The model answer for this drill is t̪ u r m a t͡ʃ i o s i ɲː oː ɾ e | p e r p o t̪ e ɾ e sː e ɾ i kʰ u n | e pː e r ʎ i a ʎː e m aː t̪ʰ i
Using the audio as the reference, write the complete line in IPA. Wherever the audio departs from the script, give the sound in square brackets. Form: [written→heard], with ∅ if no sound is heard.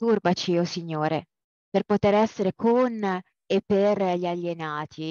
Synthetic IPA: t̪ u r [m→b] a t͡ʃ i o s i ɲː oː ɾ e | p e r p o t̪ e ɾ [e→ɛ] sː e ɾ [i→e] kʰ [u→o] n | e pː e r ʎ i a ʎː e [m→n] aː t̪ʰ i